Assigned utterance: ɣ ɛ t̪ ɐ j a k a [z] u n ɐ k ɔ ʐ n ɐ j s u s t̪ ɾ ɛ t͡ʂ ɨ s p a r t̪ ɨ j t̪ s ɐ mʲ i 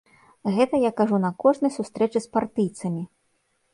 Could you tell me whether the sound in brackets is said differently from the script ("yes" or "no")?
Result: yes